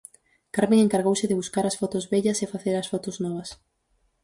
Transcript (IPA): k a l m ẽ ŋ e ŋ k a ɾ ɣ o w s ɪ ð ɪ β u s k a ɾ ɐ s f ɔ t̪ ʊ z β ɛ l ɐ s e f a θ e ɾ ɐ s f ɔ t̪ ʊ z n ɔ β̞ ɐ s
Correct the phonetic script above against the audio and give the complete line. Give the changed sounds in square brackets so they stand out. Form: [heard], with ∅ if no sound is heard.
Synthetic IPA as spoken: k a [ɾ] m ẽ ŋ e ŋ k a ɾ ɣ o w s ɪ ð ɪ β u s k a ɾ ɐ s f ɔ t̪ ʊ z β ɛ [ʎ] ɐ s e f a θ e ɾ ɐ s f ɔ t̪ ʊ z n ɔ β̞ ɐ s